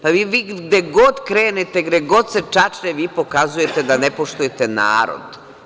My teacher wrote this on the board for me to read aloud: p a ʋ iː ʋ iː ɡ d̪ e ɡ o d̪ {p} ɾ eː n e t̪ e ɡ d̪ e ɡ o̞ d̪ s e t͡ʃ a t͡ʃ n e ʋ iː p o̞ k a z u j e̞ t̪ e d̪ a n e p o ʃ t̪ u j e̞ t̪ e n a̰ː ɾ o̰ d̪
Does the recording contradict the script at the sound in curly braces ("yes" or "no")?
yes